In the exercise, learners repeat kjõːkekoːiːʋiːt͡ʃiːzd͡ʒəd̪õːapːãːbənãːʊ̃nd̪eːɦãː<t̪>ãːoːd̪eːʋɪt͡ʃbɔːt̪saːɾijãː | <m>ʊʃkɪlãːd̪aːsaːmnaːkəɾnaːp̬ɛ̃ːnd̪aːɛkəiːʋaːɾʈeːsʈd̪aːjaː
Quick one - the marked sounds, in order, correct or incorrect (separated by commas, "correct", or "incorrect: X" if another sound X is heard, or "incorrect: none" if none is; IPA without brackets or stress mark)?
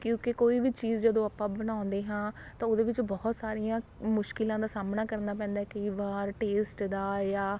correct, correct